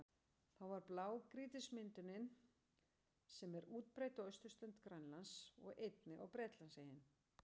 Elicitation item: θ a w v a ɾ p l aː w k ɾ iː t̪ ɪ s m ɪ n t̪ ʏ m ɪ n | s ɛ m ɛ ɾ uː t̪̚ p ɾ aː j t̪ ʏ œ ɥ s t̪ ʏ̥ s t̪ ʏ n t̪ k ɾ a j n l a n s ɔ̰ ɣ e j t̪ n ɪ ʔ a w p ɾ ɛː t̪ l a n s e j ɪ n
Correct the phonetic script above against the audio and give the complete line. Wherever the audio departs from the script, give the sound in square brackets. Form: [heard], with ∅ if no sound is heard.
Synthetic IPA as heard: θ a w v a ɾ p l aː w k ɾ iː t̪ ɪ s m ɪ n t̪ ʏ [n] ɪ n | s ɛ m ɛ ɾ uː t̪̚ p ɾ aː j t̪ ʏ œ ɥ s t̪ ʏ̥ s t̪ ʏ n t̪ k ɾ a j n l a n s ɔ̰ ɣ e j t̪ n ɪ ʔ a w p ɾ ɛː t̪ l a n s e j ɪ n